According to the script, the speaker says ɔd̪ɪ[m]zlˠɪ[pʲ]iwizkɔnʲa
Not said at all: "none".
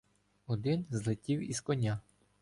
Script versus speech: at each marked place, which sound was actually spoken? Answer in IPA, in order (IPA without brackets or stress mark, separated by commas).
n, tʲ